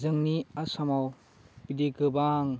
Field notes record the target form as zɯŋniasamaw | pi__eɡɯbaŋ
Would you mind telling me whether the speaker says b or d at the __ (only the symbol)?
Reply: d